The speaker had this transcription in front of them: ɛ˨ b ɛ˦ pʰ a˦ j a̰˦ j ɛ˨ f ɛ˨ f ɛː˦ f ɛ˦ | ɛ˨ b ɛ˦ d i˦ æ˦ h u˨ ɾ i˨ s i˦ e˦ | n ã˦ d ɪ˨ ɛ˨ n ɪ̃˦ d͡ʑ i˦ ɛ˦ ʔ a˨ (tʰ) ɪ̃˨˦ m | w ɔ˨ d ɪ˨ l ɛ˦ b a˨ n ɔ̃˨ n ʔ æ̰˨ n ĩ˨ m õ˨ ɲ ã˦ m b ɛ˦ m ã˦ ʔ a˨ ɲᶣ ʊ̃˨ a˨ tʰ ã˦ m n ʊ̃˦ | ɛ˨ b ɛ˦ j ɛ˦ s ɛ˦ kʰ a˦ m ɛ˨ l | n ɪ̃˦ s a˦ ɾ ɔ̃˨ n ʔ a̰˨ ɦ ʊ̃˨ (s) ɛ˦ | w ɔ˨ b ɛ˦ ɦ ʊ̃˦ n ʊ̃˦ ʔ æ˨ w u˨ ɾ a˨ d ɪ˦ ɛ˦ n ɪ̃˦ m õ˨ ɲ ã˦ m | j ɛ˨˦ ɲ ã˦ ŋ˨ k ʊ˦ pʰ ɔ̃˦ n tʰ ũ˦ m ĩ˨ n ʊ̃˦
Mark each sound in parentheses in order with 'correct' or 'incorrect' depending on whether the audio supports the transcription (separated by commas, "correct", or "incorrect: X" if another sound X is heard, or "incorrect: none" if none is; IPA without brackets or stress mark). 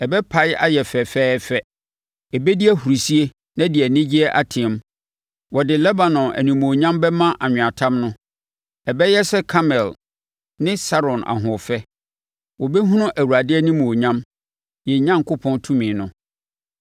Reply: correct, incorrect: f